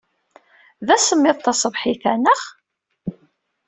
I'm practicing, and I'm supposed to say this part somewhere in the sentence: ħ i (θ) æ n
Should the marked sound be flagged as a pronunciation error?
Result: no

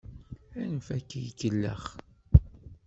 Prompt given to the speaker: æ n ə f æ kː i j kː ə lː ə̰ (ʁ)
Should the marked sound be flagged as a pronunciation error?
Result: yes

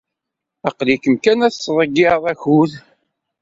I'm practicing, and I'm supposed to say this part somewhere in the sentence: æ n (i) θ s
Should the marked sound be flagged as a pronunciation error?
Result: yes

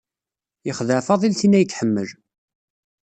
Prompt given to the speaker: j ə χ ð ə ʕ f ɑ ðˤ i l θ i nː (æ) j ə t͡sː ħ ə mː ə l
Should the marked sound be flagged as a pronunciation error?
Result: no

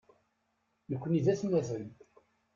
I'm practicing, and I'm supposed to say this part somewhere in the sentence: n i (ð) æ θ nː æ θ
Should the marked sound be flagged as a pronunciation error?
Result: no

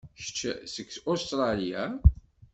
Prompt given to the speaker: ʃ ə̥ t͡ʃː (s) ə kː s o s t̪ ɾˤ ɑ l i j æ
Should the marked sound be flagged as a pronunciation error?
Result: no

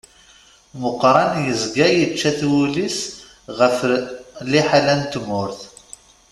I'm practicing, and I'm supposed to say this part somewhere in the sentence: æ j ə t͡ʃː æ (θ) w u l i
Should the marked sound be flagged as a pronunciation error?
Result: no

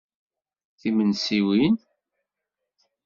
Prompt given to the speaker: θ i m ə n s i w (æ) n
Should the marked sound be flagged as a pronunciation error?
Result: yes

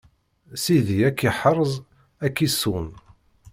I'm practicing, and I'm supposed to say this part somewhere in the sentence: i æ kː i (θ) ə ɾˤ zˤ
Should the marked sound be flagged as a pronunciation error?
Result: yes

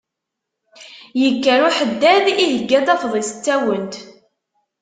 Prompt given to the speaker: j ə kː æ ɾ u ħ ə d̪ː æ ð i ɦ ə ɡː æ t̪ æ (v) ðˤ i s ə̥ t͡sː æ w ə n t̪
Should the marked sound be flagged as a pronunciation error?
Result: yes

